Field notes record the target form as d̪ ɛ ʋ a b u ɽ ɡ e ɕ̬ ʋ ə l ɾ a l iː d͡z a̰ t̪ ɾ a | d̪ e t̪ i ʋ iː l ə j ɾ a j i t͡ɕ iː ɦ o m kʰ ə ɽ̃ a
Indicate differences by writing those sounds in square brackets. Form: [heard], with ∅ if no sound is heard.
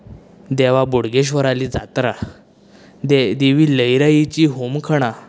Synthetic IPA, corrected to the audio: d̪ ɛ ʋ a b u ɽ ɡ e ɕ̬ ʋ ə [∅] ɾ a l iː d͡z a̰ t̪ ɾ a | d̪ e [d̪] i ʋ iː l ə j ɾ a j i t͡ɕ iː ɦ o m kʰ ə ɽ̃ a